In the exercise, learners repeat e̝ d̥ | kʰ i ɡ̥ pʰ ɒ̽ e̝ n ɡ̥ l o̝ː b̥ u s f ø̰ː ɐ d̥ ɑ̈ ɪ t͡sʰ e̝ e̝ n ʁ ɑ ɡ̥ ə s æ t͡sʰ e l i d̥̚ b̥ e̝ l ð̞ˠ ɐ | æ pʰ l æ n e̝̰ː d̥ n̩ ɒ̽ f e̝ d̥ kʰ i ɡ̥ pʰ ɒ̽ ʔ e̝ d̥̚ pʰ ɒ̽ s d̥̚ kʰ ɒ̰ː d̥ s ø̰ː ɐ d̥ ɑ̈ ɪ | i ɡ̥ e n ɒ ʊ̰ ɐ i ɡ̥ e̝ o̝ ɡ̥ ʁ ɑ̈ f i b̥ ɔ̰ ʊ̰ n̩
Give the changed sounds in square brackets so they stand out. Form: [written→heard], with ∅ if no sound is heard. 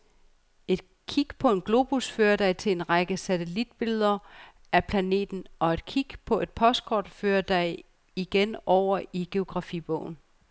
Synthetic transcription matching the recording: e̝ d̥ | kʰ i ɡ̥ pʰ ɒ̽ e̝ n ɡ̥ l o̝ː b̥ u s f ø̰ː ɐ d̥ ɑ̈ ɪ t͡sʰ e̝ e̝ n ʁ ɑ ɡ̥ ə s æ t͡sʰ e l i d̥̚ b̥ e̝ l ð̞ˠ ɐ | æ pʰ l æ n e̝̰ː d̥ n̩ ɒ̽ [f→∅] e̝ d̥ kʰ i ɡ̥ pʰ ɒ̽ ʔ e̝ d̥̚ pʰ ɒ̽ s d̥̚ kʰ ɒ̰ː d̥ [s→f] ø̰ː ɐ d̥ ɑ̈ ɪ | i ɡ̥ e n ɒ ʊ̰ ɐ i ɡ̥ e̝ o̝ ɡ̥ ʁ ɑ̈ f i b̥ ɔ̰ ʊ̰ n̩